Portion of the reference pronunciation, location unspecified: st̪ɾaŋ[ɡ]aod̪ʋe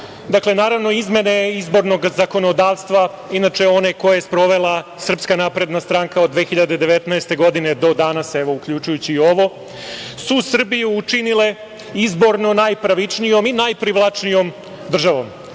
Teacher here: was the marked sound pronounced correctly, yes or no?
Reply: no